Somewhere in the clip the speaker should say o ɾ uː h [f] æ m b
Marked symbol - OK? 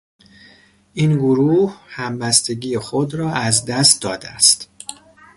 no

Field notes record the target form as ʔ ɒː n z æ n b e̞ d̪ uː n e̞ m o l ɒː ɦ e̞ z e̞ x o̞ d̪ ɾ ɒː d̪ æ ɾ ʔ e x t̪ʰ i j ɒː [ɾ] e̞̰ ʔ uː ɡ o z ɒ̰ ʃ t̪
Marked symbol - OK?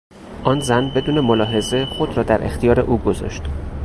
yes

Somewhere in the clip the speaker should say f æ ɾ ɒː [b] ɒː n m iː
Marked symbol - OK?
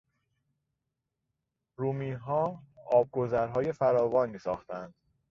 no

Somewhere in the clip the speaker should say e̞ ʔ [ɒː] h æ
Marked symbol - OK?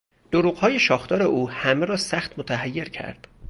no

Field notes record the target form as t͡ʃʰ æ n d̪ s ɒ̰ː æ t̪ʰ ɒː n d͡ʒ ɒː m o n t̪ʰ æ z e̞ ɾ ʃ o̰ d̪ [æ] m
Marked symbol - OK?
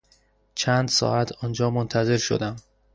yes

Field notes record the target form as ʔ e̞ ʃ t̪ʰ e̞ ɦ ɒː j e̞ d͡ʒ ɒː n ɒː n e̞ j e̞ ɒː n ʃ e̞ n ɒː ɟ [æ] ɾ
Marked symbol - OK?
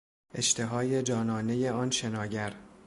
yes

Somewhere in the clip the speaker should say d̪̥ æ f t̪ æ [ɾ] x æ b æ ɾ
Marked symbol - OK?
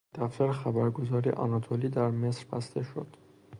yes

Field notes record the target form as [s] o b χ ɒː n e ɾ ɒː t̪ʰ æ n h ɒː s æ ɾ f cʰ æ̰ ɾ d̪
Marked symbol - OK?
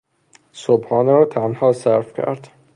yes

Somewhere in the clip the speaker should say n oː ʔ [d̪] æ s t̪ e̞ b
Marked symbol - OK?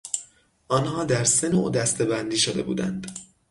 yes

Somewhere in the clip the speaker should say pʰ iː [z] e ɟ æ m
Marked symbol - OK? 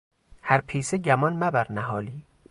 no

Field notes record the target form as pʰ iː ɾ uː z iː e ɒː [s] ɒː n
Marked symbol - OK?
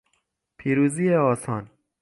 yes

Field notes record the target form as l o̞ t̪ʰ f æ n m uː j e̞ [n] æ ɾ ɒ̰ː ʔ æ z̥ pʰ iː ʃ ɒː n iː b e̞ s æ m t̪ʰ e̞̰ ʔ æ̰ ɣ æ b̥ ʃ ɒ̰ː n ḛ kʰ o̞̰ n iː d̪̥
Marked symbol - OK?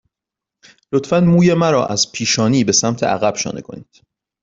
no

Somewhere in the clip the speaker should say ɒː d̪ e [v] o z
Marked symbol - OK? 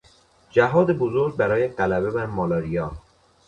no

